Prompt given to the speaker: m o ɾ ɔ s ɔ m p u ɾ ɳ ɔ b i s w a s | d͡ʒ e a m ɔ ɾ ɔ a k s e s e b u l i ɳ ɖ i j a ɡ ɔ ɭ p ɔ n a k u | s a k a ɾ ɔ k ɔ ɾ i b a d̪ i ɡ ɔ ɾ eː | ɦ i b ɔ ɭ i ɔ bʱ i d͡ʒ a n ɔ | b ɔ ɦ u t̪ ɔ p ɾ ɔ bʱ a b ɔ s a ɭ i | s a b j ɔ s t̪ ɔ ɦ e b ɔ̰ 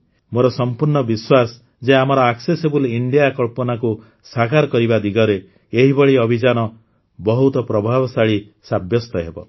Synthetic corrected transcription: m o ɾ ɔ s ɔ m p u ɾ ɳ ɔ b i s w a s | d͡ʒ e a m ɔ ɾ ɔ a k s e s e b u l i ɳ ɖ i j a k ɔ ɭ p ɔ n a k u | s a k a ɾ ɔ k ɔ ɾ i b a d̪ i ɡ ɔ ɾ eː | ɦ i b ɔ ɭ i ɔ bʱ i d͡ʒ a n ɔ | b ɔ ɦ u t̪ ɔ p ɾ ɔ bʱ a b ɔ s a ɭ i | s a b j ɔ s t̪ ɔ ɦ e b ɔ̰